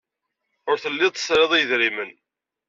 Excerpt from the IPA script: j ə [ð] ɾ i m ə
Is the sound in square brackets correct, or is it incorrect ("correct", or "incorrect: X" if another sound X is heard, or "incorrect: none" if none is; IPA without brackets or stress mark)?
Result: correct